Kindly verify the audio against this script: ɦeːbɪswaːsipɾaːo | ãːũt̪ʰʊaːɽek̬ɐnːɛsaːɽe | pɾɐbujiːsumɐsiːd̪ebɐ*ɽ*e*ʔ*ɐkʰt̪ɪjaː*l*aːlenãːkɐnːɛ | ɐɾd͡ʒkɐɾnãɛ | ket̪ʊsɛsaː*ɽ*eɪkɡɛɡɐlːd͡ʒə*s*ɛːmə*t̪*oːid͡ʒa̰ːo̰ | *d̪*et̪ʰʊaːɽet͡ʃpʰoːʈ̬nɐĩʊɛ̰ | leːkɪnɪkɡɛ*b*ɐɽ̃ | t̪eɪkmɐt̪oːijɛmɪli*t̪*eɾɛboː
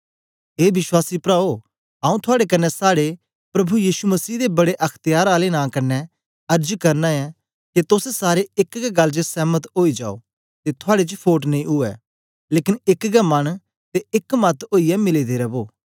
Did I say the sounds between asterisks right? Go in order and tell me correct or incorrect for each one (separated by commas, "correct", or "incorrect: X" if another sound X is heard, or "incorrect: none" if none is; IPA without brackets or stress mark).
correct, correct, incorrect: ɾ, incorrect: ɾ, correct, correct, incorrect: t̪, incorrect: m, incorrect: d̪